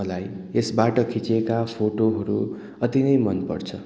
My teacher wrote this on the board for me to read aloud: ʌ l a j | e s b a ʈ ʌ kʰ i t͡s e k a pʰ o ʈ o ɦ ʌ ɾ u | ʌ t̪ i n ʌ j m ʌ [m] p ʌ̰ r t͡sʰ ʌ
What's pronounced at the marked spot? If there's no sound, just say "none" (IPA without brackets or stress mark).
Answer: n